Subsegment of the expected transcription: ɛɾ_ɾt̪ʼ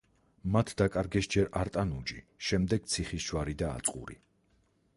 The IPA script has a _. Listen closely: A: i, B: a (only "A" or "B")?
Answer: B